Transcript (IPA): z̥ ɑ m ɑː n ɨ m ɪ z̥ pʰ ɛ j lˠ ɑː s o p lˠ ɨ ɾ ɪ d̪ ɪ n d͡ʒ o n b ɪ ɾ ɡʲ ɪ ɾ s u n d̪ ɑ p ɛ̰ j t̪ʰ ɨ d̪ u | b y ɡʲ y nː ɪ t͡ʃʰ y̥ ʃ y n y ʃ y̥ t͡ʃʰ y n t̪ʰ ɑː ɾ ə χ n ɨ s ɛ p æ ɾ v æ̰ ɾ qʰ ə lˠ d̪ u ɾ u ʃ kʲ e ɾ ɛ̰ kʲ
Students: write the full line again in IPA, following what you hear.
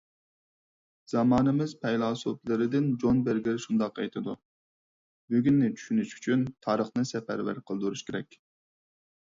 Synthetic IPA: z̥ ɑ m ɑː n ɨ m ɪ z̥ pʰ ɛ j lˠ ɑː s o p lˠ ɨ ɾ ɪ d̪ ɪ n d͡ʒ o n b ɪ ɾ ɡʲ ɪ ɾ ʃ u n d̪ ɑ q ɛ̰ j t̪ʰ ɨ d̪ u | b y ɡʲ y nː ɪ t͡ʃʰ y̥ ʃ y n y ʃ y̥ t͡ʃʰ y n t̪ʰ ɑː ɾ ə χ n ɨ s ɛ p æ ɾ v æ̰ ɾ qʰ ə lˠ d̪ u ɾ u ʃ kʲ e ɾ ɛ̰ kʲ